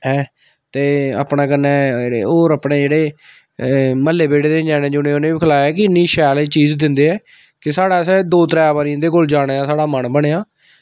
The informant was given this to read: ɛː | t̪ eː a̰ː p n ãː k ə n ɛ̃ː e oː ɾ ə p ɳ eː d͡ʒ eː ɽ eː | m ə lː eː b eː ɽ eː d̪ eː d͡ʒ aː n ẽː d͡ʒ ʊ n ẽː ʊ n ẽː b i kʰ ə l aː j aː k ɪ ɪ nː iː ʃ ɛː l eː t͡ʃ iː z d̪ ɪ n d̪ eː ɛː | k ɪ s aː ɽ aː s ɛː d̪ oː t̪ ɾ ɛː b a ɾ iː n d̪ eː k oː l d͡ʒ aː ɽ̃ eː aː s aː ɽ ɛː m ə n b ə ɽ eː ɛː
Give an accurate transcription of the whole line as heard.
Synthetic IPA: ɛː | t̪ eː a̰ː p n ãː k ə n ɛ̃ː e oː ɾ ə p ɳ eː d͡ʒ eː ɽ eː | m ə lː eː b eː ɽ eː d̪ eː d͡ʒ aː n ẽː d͡ʒ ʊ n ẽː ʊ n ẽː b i kʰ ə l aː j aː k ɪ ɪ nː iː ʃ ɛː l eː t͡ʃ iː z d̪ ɪ n d̪ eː ɛː | k ɪ s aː ɽ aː s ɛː d̪ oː t̪ ɾ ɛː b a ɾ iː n d̪ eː k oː l d͡ʒ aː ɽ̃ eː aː s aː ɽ aː m ə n b ə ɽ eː aː